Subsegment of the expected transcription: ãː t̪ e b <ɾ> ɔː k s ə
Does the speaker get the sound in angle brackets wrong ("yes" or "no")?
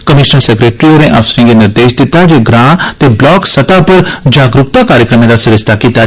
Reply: yes